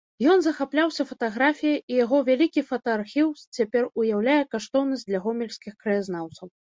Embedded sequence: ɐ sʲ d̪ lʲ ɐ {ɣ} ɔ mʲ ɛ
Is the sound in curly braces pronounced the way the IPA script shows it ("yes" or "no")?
yes